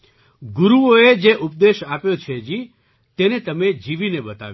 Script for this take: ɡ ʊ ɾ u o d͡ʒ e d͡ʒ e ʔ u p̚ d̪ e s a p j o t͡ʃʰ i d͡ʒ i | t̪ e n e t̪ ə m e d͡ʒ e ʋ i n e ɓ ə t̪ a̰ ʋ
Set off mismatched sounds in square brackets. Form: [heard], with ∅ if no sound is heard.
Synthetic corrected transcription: ɡ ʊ ɾ u o [∅] e d͡ʒ e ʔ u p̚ d̪ e [ʃ] a p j o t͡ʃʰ [e] d͡ʒ i | t̪ e n e t̪ ə m e d͡ʒ [i] ʋ i n e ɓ ə t̪ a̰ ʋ